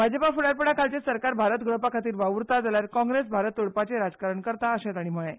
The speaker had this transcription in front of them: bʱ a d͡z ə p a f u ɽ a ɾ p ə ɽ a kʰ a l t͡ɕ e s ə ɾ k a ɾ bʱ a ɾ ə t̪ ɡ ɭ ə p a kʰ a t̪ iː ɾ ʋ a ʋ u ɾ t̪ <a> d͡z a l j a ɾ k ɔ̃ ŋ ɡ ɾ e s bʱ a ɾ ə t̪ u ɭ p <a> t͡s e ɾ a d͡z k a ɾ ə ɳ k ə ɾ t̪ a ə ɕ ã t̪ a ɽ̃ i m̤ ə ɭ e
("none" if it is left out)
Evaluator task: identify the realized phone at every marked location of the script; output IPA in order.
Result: a, a

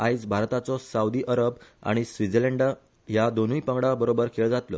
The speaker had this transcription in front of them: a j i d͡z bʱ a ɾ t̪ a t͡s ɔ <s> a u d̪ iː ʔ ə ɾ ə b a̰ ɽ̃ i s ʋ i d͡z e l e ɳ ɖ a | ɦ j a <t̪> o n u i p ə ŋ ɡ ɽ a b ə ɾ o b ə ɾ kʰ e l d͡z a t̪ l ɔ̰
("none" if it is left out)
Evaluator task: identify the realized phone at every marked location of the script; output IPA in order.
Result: s, d̪

